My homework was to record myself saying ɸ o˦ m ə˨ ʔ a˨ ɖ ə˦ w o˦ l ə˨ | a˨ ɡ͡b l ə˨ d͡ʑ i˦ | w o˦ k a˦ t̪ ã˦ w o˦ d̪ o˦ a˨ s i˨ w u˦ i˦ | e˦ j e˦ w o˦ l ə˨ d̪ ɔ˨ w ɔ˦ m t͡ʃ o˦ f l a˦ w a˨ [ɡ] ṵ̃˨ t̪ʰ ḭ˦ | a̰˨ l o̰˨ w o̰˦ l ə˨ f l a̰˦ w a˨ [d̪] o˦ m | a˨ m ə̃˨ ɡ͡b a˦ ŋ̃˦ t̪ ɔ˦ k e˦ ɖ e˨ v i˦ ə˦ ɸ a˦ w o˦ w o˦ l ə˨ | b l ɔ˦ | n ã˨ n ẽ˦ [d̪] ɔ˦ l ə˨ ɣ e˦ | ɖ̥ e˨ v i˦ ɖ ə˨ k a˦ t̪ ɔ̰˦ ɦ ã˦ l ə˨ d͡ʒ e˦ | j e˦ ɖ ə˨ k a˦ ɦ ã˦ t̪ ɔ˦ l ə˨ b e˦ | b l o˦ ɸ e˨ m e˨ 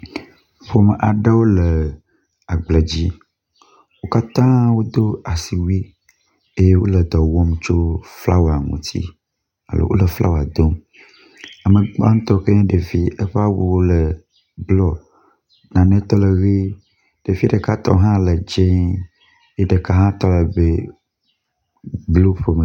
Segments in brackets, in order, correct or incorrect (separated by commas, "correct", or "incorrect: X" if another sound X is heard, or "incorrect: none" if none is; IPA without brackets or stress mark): incorrect: ŋ, correct, incorrect: t̪